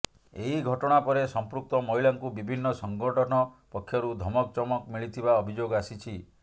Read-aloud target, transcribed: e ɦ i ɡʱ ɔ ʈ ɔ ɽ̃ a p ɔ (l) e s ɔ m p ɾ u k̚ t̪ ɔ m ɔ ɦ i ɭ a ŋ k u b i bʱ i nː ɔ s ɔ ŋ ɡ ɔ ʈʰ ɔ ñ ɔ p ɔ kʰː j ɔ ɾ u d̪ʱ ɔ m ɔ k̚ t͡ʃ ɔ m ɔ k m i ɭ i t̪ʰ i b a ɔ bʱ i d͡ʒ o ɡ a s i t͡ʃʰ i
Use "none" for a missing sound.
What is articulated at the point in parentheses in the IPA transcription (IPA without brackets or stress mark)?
ɾ